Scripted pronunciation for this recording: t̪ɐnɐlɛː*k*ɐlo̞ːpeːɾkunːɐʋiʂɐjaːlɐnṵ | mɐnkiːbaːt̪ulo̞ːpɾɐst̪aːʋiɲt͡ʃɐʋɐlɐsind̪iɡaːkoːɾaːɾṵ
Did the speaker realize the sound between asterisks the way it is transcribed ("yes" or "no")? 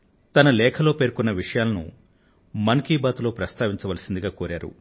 no